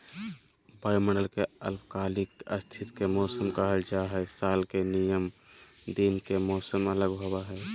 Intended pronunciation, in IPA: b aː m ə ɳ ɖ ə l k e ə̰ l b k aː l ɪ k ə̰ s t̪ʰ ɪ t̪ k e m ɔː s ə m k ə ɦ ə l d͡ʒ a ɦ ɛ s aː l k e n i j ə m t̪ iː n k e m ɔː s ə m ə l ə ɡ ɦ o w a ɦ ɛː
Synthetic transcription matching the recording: b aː m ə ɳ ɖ ə l k e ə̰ l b k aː l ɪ k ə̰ s t̪ʰ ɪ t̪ k e m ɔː s ə m k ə ɦ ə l d͡ʒ a ɦ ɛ s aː l k e n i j ə m d̪ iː n k e m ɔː s ə m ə l ə ɡ ɦ o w a ɦ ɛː